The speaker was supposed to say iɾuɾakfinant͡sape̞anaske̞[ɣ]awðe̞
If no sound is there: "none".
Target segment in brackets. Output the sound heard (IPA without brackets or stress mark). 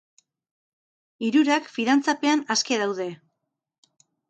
ð